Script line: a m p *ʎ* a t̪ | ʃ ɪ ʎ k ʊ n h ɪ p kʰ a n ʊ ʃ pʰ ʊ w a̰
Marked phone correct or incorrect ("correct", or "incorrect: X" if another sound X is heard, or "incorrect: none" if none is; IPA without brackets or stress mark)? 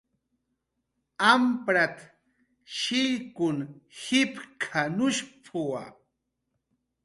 incorrect: ɾ